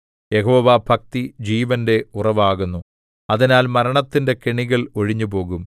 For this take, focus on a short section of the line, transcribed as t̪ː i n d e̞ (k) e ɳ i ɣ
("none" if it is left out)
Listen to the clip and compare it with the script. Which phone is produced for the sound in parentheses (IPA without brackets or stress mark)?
k